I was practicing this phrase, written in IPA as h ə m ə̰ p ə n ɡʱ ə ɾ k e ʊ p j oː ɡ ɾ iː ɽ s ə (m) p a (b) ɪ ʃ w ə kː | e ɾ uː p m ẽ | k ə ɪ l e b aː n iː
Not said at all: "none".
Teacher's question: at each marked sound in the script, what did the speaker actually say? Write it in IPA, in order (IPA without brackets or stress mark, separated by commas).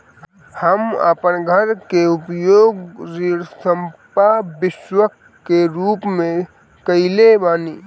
m, b